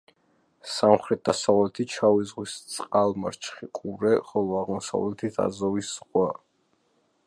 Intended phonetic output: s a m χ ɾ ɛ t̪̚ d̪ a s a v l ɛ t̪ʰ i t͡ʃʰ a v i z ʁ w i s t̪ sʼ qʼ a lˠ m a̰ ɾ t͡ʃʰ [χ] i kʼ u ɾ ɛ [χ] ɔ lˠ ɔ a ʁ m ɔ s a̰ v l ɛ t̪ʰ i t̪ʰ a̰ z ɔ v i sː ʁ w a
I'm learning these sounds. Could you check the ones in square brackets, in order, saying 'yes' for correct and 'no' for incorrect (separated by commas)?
yes, yes